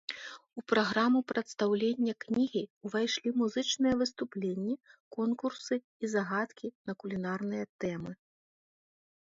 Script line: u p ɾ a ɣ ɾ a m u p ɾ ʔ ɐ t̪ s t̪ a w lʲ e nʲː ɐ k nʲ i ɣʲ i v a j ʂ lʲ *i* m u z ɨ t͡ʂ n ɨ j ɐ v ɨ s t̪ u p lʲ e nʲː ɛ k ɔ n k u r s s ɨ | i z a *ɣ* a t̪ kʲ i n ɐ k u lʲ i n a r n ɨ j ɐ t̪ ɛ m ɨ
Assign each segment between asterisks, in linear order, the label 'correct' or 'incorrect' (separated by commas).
correct, correct